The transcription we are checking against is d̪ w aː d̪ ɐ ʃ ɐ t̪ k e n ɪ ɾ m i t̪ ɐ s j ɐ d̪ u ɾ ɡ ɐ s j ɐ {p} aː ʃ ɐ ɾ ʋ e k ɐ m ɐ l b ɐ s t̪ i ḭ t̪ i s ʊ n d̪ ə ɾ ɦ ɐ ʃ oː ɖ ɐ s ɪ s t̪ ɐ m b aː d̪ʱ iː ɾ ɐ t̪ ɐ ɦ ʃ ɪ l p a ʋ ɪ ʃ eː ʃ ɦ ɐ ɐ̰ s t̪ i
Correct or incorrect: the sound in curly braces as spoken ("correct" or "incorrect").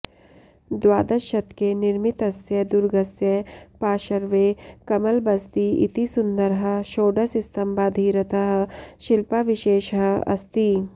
correct